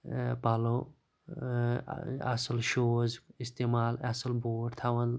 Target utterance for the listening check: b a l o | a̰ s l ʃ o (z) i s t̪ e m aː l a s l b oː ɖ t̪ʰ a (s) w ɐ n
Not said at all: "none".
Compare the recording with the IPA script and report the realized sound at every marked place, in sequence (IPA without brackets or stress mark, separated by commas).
z, none